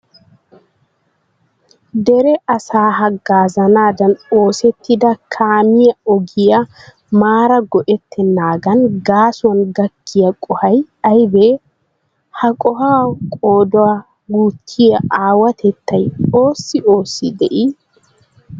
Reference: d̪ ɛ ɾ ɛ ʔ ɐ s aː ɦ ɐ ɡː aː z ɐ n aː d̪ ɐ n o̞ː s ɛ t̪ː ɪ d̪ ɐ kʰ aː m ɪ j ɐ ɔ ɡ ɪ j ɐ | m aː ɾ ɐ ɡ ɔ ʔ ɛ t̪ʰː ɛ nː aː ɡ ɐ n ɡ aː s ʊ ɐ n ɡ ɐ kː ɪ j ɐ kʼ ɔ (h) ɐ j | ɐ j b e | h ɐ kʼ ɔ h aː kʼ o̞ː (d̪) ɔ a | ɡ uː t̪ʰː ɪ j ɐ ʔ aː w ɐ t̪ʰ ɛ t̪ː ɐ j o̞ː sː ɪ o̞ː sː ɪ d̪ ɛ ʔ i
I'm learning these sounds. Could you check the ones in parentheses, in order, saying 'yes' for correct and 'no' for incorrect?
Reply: yes, yes

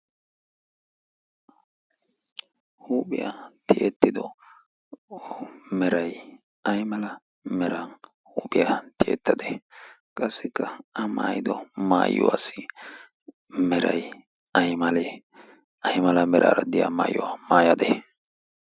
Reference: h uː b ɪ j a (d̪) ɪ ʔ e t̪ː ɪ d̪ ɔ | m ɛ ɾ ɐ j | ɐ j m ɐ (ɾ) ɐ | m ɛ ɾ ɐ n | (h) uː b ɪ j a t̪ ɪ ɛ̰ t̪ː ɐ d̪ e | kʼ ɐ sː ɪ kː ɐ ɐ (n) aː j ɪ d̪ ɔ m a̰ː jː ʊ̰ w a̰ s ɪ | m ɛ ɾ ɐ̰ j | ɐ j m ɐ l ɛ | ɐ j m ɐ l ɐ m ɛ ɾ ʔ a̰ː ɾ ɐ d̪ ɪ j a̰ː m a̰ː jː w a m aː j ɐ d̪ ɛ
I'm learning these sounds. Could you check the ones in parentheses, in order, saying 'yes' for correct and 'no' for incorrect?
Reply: no, no, yes, no

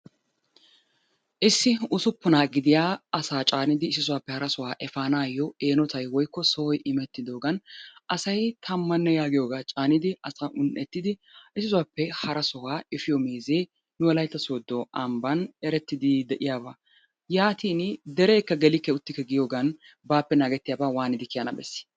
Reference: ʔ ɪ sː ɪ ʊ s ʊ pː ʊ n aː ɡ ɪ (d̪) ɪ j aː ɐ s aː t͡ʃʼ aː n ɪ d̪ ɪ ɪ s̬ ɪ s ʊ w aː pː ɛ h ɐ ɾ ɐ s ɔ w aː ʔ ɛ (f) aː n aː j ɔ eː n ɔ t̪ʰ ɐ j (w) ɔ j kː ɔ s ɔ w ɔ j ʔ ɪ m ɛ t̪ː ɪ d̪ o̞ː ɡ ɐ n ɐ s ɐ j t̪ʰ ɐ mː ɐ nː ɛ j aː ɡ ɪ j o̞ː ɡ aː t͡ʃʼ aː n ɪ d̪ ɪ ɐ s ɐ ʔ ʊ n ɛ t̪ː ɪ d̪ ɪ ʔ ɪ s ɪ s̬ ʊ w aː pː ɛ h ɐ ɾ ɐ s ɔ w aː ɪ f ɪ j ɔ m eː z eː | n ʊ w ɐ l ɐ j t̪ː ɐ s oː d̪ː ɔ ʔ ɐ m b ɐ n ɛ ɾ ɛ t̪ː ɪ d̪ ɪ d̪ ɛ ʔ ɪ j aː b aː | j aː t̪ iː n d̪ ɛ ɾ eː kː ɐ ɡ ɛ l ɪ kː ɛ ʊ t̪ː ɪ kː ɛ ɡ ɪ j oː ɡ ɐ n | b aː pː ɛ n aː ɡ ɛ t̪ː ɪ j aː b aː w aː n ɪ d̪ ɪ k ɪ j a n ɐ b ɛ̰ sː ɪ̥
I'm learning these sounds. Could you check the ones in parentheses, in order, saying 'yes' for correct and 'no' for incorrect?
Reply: yes, yes, yes

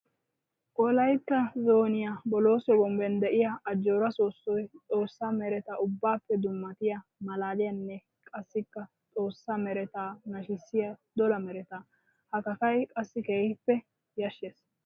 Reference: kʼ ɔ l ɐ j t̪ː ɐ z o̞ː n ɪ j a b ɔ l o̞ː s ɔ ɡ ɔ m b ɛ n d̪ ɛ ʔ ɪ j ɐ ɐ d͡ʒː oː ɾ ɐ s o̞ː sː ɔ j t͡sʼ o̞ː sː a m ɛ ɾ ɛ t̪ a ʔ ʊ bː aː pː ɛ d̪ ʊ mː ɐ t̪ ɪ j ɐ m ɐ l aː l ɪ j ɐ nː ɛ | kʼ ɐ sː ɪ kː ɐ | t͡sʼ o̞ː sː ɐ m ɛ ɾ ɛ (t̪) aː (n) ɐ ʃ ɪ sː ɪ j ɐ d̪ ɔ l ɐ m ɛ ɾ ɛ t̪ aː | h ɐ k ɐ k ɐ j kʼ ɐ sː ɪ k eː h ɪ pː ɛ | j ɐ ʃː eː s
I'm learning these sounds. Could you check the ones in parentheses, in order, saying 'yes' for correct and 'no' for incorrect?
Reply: yes, yes

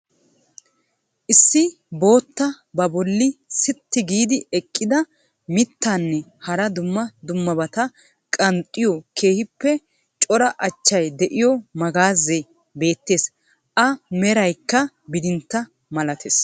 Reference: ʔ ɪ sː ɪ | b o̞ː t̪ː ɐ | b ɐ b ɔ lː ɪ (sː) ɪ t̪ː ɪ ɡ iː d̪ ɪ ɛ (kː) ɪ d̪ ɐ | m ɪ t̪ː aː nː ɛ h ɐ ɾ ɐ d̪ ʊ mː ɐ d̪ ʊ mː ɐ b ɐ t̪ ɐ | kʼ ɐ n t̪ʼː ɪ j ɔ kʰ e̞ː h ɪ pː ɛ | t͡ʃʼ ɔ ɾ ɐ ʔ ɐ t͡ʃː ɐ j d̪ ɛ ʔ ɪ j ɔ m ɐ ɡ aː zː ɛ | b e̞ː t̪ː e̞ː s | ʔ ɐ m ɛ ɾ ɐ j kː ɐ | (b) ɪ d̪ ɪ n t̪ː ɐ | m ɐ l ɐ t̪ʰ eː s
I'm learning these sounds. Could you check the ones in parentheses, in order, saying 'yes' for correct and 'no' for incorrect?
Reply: no, no, yes

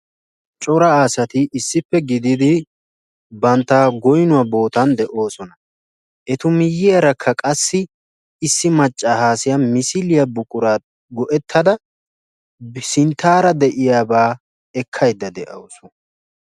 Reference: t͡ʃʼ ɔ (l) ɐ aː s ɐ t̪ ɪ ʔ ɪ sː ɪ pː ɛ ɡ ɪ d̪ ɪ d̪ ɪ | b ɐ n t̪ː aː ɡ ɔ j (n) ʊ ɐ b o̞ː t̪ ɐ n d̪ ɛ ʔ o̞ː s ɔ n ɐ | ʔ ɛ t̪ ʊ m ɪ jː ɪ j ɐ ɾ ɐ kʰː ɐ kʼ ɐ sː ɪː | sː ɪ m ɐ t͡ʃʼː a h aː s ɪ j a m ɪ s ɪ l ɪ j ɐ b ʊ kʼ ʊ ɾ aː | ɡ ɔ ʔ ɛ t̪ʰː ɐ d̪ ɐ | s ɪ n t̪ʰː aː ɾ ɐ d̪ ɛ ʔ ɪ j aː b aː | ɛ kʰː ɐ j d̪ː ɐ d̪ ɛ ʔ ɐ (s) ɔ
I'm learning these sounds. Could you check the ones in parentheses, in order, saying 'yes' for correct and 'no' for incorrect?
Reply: no, yes, yes

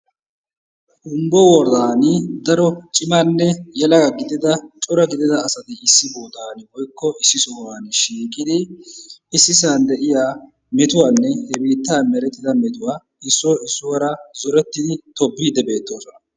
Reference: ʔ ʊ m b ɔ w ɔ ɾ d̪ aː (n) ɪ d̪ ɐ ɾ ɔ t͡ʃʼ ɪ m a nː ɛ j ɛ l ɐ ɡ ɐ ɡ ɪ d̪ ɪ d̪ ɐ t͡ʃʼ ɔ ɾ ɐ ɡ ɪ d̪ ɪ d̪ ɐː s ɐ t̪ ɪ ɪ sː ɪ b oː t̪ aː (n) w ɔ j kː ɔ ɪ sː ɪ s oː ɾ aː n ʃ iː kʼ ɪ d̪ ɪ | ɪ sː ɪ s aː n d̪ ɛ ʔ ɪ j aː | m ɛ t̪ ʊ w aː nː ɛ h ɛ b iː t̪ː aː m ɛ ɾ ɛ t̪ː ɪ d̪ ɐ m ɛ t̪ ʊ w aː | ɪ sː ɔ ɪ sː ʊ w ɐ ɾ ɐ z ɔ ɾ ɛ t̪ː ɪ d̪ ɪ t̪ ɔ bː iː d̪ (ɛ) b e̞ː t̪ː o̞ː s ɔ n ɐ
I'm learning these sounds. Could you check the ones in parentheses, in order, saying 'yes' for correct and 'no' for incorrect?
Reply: yes, yes, yes

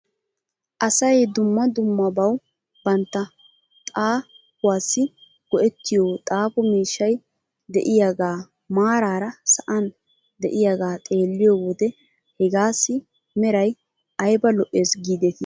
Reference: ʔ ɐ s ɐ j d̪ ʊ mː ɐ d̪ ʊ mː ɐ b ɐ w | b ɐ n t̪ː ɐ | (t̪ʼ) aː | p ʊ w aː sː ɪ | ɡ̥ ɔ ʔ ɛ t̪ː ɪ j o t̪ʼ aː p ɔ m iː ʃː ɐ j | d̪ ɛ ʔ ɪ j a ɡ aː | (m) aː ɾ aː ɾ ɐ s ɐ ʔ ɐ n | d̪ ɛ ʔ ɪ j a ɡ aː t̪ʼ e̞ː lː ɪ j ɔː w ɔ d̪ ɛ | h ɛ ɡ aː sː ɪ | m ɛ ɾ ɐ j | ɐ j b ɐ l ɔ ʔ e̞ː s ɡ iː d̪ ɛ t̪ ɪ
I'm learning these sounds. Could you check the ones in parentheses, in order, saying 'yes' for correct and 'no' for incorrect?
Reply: yes, yes

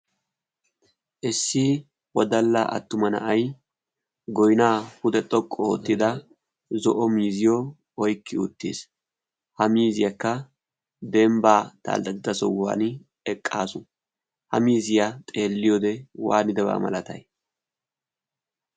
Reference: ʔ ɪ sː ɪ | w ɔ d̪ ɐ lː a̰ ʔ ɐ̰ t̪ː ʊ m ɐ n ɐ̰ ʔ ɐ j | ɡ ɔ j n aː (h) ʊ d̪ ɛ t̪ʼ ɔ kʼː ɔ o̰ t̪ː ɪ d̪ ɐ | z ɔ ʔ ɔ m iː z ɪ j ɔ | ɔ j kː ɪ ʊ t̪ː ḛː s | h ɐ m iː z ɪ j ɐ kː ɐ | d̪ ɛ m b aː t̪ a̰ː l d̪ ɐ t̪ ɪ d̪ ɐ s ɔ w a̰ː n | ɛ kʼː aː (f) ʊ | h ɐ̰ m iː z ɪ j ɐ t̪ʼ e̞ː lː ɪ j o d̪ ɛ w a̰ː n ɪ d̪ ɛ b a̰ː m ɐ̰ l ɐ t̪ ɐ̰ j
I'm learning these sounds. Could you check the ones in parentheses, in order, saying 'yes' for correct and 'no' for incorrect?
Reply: yes, no

